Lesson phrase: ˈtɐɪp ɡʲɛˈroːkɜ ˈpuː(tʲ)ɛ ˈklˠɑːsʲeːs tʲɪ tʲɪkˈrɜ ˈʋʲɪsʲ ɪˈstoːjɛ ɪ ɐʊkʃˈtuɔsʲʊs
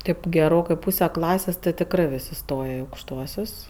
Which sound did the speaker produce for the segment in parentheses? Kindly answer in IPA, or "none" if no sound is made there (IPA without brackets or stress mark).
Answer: sʲ